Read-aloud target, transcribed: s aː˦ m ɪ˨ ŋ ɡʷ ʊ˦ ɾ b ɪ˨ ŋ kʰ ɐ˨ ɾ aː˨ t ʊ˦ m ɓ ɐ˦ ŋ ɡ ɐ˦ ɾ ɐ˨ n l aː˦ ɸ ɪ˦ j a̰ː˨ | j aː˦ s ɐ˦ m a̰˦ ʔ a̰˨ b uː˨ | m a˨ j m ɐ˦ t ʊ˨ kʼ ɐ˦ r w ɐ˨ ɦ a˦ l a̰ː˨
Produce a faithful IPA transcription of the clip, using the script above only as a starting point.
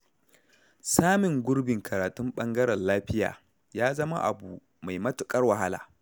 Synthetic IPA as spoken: s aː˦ m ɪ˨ ŋ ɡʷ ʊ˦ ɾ b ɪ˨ ŋ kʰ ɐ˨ ɾ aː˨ t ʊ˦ m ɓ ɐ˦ ŋ ɡ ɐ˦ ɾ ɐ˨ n l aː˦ ɸ ɪ˦ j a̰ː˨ | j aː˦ z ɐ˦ m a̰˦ ʔ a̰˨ b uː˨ | m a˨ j m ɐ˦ t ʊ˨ kʼ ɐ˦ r w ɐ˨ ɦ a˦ l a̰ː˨